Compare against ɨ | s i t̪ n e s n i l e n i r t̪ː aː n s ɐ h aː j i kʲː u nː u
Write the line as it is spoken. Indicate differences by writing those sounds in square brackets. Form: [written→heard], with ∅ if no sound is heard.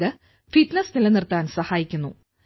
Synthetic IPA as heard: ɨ | [s→f] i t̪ n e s n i l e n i r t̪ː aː n s ɐ h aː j i kʲː u nː u